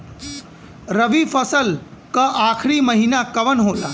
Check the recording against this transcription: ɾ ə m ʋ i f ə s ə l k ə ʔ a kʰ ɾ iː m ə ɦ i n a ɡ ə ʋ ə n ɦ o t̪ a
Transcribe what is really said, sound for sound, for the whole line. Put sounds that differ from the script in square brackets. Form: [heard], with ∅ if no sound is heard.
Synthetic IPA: ɾ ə [∅] ʋ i f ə s ə l k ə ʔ a kʰ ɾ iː m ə ɦ i n a [k] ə ʋ ə n ɦ o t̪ a